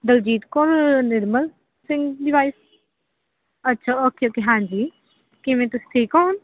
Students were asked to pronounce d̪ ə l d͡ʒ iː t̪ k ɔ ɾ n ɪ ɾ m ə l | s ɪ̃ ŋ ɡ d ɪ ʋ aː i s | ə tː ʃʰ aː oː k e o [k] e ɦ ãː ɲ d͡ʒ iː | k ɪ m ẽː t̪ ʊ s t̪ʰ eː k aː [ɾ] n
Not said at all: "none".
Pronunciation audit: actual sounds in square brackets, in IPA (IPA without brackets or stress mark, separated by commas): k, none